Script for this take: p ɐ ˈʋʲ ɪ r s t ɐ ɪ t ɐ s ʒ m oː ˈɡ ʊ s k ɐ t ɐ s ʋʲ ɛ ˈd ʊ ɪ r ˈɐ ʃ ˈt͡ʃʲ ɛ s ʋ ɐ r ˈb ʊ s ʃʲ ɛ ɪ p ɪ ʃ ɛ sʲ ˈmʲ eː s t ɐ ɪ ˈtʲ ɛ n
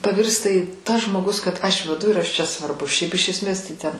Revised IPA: p ɐ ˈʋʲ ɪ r s t ɐ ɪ t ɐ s ʒ m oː ˈɡ ʊ s k ɐ t ɐ ʃ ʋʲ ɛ ˈd ʊ ɪ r ˈɐ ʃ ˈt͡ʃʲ ɛ s ʋ ɐ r ˈb ʊ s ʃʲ ɛ ɪ p ɪ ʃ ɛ sʲ ˈmʲ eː s t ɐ ɪ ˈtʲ ɛ n